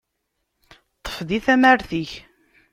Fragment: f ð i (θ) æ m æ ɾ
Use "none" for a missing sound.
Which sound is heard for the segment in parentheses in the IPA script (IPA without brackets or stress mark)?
θ